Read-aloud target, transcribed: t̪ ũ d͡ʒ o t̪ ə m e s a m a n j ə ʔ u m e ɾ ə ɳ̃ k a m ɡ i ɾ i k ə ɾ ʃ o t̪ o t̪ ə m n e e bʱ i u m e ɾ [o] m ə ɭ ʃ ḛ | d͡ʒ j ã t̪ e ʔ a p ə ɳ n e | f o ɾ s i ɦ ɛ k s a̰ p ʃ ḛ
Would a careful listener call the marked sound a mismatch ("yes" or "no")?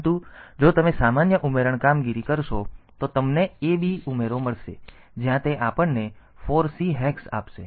no